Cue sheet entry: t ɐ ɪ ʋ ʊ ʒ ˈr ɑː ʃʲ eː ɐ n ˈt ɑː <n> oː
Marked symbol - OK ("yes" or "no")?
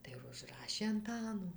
yes